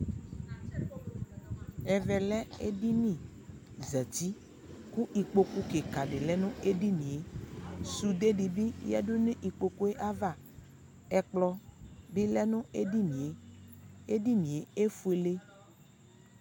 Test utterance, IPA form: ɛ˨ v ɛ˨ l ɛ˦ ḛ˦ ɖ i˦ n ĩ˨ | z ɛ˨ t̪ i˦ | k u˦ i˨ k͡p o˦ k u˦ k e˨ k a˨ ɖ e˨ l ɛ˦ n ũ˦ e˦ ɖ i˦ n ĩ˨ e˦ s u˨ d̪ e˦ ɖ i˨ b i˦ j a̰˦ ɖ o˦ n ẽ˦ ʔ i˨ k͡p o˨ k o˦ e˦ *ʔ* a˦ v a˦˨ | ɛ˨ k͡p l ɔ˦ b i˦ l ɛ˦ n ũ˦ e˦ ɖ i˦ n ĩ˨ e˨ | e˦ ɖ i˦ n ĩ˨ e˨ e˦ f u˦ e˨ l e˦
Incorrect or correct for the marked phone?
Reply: correct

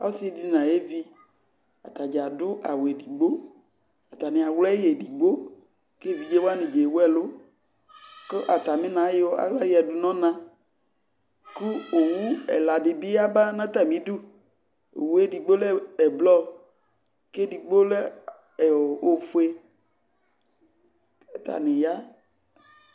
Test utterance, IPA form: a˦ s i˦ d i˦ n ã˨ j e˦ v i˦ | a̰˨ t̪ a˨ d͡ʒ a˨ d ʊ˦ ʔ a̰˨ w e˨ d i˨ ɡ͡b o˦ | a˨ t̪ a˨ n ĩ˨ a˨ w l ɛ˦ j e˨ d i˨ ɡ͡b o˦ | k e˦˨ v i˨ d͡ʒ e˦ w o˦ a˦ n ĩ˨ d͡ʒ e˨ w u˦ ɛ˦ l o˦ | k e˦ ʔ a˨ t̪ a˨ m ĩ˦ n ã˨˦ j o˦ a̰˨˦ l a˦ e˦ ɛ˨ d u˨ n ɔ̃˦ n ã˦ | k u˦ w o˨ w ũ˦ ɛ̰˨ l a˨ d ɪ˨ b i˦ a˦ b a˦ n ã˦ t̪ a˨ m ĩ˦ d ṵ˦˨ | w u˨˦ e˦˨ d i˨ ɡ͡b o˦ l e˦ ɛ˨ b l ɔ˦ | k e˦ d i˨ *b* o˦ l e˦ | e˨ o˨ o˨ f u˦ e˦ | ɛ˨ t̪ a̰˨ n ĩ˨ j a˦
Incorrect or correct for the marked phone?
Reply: incorrect: ɡ͡b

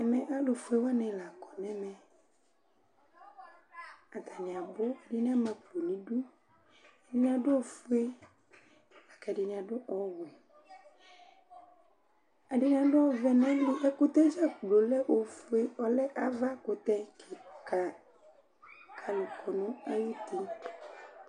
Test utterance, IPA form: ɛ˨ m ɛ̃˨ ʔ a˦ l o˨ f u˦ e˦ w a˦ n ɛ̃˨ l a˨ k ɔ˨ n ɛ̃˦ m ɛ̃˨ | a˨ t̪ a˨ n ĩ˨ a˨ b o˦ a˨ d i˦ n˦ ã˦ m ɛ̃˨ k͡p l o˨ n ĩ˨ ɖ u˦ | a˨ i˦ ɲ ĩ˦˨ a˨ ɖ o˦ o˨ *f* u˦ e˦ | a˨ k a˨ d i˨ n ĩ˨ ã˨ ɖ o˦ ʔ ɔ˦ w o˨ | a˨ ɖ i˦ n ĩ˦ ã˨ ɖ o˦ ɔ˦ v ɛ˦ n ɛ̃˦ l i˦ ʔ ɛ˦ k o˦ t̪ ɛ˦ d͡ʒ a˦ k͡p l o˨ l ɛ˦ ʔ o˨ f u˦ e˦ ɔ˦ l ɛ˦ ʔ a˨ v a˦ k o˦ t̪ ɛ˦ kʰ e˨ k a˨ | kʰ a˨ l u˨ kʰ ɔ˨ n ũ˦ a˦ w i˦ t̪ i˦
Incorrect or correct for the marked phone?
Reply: correct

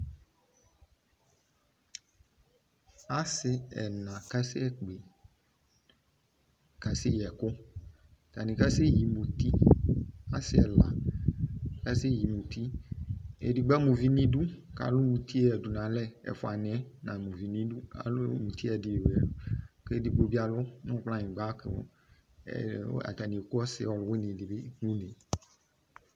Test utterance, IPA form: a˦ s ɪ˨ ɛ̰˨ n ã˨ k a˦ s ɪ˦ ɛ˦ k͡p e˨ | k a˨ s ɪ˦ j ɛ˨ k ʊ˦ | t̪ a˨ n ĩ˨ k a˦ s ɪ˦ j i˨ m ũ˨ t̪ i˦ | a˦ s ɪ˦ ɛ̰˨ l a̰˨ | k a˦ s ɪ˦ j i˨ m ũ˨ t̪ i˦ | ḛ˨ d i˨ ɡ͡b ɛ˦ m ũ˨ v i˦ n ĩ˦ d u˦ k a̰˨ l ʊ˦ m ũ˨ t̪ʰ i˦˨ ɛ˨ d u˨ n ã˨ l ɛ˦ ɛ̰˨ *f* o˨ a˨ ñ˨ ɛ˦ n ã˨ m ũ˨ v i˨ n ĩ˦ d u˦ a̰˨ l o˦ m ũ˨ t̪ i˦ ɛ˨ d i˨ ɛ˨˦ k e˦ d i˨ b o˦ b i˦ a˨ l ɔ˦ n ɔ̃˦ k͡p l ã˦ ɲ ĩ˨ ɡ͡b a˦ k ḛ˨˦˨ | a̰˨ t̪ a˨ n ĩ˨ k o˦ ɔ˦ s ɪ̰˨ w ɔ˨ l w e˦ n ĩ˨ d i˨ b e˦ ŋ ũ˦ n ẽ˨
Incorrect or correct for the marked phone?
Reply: correct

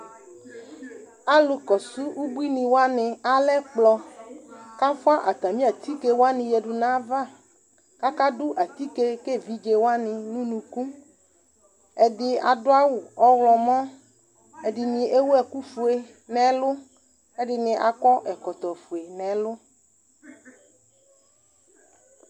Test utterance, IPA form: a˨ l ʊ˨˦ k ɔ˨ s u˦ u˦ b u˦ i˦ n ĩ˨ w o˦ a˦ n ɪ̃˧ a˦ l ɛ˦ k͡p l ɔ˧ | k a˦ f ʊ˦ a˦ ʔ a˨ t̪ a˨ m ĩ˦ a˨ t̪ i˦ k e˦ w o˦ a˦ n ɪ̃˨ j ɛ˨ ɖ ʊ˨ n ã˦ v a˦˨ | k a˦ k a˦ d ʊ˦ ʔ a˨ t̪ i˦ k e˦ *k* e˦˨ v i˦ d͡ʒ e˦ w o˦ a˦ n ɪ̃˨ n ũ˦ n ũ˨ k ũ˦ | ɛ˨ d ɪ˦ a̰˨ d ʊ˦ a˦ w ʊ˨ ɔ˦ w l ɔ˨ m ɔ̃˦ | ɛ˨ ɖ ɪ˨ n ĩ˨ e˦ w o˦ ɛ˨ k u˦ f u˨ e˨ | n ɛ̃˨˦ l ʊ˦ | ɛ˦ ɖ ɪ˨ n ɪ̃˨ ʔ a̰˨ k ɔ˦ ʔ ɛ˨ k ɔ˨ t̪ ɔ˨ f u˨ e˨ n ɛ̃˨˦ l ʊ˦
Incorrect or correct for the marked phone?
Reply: correct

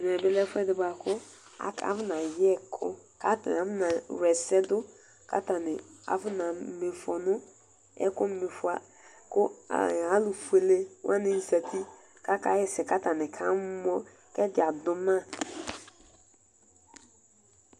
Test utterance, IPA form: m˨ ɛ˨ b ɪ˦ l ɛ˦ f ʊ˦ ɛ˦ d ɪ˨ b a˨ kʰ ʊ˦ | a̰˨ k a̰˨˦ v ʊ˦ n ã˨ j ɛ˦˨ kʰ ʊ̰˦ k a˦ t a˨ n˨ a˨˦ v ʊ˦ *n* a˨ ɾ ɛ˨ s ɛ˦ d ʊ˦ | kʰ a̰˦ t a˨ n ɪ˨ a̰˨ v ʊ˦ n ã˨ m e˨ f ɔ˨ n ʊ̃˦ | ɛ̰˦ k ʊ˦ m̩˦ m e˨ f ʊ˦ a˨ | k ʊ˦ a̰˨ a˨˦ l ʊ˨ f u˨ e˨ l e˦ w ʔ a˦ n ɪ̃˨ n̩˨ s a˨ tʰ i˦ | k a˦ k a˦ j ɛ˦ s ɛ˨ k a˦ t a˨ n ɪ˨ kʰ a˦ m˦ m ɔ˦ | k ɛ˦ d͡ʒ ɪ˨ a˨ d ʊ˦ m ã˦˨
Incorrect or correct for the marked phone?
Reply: correct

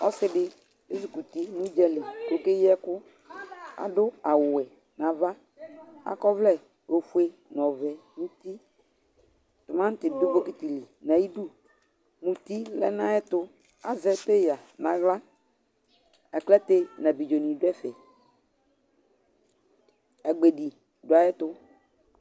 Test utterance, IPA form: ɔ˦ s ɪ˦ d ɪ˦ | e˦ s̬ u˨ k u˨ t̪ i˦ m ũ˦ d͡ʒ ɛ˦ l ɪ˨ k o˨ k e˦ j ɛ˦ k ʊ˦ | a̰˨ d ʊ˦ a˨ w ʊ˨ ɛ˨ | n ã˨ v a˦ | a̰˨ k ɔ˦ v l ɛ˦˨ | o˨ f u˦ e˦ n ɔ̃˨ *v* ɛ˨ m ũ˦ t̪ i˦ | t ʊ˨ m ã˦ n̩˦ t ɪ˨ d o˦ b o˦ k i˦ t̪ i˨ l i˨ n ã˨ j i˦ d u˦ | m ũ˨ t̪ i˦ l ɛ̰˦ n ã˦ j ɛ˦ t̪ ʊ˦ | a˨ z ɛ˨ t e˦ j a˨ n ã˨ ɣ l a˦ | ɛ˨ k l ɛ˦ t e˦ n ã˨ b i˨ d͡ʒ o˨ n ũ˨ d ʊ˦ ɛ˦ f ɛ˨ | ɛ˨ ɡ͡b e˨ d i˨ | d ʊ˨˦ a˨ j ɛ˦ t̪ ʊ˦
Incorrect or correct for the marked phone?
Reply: correct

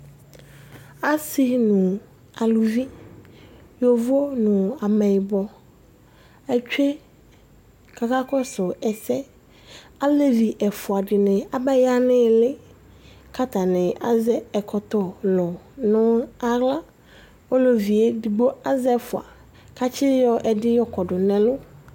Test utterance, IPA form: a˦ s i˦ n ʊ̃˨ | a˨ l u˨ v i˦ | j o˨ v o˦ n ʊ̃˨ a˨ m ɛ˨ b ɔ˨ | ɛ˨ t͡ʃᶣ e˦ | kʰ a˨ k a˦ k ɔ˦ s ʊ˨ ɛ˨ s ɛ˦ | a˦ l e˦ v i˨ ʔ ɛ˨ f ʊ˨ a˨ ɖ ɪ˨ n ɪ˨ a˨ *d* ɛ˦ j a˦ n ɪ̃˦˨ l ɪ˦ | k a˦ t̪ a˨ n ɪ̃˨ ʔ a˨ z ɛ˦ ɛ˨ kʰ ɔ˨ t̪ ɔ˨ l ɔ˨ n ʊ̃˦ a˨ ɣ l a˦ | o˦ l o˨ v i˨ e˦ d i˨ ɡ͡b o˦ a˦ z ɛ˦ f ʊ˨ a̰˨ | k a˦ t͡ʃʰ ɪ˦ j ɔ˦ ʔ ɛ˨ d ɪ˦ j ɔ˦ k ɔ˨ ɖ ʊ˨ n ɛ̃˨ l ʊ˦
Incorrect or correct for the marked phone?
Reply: incorrect: b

